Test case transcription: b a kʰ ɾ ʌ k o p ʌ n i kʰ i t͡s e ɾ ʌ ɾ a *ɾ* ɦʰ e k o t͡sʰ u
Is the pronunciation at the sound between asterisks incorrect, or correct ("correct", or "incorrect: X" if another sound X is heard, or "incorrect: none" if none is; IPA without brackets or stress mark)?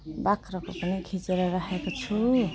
incorrect: none